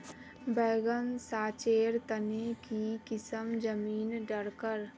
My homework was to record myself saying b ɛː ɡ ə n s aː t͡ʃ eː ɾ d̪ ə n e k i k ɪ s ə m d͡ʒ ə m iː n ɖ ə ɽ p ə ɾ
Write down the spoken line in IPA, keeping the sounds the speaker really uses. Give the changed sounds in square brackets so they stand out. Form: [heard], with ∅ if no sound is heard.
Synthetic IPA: b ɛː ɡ ə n s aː t͡ʃ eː ɾ [t̪] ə n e k i k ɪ s ə m d͡ʒ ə m iː n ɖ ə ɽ [k] ə ɾ